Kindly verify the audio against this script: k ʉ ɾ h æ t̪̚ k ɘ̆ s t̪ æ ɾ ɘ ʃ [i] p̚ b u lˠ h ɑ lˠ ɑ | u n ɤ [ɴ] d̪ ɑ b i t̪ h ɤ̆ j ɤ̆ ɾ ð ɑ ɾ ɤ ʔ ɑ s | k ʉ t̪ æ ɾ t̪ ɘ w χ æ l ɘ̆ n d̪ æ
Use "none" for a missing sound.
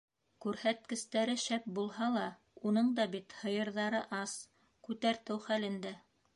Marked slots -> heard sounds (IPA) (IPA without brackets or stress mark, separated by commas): æ, ɴ